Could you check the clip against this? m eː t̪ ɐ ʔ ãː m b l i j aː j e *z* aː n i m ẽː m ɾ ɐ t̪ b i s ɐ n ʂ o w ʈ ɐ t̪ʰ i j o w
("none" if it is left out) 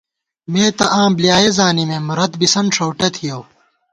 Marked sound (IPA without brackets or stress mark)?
z